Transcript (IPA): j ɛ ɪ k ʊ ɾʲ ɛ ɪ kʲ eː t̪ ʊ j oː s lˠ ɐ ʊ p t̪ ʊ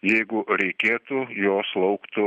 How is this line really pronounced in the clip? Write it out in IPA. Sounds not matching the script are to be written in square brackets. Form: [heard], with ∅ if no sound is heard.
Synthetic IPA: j ɛ ɪ [ɡ] ʊ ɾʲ ɛ ɪ kʲ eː t̪ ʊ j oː s lˠ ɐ ʊ [k] t̪ ʊ